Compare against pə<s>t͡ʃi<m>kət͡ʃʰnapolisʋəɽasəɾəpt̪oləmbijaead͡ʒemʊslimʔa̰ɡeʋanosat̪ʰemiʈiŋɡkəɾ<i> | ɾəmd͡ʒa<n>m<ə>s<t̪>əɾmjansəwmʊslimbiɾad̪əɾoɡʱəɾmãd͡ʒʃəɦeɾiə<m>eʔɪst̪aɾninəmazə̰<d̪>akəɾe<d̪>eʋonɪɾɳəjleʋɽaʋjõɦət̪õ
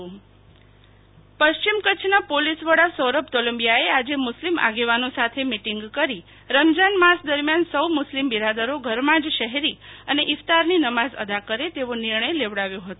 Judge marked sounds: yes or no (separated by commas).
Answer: no, yes, yes, yes, no, no, no, yes, no